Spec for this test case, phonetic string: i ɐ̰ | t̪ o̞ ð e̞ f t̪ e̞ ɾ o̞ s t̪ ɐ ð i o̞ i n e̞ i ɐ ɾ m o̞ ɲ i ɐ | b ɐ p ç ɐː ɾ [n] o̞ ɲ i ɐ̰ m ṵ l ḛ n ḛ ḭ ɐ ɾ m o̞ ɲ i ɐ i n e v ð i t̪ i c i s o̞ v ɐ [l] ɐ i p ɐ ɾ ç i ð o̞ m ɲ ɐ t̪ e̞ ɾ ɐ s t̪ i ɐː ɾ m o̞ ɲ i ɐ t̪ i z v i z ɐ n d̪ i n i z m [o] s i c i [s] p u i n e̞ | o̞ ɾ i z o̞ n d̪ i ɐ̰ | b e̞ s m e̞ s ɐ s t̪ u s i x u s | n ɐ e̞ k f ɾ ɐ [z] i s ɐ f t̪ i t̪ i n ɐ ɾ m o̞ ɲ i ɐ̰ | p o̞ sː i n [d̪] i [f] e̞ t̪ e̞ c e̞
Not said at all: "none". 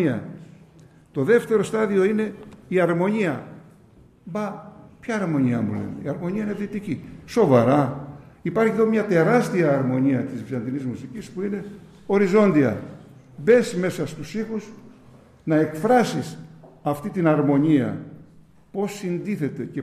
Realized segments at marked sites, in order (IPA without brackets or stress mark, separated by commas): m, ɾ, u, s, s, d̪, θ